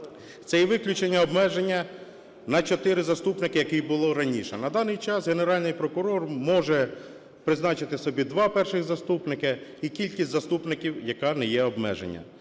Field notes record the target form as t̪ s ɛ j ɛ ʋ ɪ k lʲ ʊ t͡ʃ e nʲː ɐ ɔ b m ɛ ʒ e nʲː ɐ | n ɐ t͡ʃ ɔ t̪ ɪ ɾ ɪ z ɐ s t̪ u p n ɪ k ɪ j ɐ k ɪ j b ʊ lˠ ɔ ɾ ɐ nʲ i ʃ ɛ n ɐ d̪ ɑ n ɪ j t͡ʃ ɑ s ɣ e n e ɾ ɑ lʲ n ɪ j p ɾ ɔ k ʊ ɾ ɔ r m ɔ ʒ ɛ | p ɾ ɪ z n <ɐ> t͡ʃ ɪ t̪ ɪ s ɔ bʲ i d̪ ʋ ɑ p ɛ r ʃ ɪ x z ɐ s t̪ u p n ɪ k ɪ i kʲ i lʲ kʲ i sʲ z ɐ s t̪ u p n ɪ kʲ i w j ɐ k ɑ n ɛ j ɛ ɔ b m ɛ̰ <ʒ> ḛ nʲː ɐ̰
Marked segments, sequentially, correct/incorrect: incorrect, correct

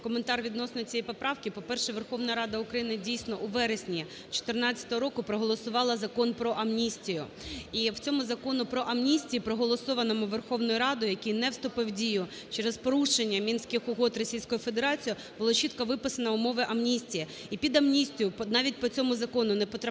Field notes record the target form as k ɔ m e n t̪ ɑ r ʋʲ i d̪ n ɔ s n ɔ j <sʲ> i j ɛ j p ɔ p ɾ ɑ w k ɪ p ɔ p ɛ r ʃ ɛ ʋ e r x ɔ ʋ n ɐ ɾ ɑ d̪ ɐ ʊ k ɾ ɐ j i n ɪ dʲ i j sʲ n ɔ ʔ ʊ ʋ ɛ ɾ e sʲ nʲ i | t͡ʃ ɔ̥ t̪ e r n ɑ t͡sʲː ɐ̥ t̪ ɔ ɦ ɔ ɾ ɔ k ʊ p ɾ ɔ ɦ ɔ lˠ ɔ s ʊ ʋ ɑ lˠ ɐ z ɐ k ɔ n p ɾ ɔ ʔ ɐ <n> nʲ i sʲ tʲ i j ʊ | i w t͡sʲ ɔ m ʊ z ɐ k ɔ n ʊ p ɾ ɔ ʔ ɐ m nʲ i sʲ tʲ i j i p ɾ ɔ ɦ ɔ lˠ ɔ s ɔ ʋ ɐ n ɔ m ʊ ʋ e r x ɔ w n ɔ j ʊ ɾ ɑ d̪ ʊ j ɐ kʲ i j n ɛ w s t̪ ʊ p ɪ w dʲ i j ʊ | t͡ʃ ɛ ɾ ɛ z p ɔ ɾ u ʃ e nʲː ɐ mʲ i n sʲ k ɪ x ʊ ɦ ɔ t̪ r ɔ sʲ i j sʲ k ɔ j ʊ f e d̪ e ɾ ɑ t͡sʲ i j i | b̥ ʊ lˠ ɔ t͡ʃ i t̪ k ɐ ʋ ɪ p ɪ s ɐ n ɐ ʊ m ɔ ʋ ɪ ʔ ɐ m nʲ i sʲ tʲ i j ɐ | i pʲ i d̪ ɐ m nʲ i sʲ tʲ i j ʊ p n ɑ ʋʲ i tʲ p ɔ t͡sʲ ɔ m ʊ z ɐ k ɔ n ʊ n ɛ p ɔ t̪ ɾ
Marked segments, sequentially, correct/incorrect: incorrect, incorrect

